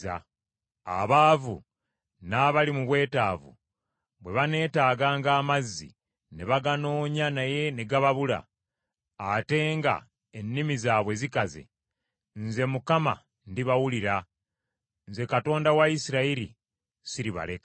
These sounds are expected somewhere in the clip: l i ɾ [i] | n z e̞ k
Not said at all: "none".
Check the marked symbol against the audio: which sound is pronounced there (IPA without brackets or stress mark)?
a